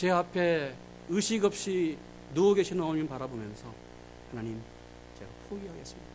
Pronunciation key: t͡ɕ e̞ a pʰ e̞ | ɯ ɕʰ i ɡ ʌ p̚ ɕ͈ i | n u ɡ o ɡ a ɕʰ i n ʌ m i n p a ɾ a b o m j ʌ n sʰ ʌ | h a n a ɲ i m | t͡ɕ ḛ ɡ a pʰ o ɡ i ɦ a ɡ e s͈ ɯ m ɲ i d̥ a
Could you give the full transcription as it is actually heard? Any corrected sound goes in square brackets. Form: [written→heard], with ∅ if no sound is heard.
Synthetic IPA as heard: t͡ɕ e̞ a pʰ e̞ | ɯ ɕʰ i ɡ ʌ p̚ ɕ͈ i | n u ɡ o ɡ [a→e] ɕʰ i n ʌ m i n p a ɾ a b o m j ʌ n sʰ ʌ | h a n a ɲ i m | t͡ɕ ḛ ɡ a pʰ o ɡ i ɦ a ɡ e s͈ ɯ m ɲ i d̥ a